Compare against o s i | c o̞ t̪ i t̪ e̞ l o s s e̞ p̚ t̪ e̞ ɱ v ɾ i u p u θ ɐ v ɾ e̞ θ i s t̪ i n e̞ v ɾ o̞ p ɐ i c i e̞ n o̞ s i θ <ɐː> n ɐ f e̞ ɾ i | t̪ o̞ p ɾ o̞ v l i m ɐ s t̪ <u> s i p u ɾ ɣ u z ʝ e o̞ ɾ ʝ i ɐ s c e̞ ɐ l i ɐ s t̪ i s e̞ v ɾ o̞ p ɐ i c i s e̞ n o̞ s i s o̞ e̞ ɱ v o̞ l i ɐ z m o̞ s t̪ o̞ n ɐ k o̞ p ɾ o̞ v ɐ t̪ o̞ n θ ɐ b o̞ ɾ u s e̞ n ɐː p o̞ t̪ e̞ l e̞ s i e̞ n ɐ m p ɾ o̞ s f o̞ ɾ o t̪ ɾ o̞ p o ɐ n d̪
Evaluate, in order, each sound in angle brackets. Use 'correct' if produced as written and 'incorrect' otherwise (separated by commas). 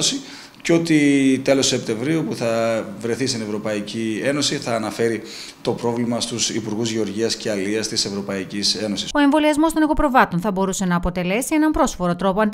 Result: correct, correct